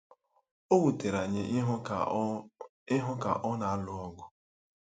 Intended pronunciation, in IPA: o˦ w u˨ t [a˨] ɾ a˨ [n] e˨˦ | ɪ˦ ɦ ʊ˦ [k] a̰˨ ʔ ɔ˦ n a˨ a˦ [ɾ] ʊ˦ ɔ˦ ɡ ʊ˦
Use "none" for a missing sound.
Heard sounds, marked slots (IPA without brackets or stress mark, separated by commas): e˨, ɲ, k, l